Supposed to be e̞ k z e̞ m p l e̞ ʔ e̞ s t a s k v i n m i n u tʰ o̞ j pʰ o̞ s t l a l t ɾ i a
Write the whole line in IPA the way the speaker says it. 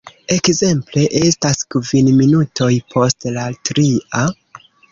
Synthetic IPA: e̞ k z e̞ m p l e̞ ʔ e̞ s t a s k v i n m i n u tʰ o̞ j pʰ o̞ s t l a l t ɾ i a